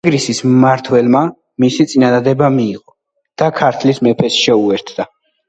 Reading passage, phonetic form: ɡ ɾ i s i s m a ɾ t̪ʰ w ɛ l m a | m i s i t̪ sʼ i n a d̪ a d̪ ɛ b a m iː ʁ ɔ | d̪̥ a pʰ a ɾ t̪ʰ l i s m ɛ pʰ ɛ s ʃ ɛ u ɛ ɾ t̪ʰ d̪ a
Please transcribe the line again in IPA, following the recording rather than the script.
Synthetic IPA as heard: ɡ ɾ i s i s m a ɾ t̪ʰ w ɛ l m a | m i s i t̪ sʼ i n a d̪ a d̪ ɛ b a m iː ʁ ɔ | d̪̥ a kʰ a ɾ t̪ʰ l i s m ɛ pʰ ɛ s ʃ ɛ u ɛ ɾ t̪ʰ d̪ a